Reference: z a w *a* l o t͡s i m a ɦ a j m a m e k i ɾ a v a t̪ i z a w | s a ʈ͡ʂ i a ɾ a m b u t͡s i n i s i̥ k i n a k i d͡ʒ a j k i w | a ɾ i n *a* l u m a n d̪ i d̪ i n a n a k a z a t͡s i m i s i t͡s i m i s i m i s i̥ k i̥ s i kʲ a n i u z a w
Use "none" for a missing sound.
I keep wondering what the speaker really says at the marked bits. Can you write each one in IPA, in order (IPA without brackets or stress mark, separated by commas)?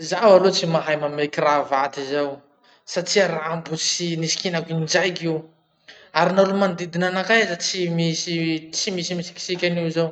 a, a